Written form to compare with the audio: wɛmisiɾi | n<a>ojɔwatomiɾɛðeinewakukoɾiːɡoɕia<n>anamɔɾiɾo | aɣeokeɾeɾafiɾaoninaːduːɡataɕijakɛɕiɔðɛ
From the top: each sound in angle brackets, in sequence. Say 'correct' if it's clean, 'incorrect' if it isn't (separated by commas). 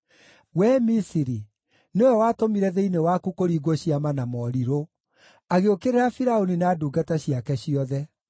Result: incorrect, incorrect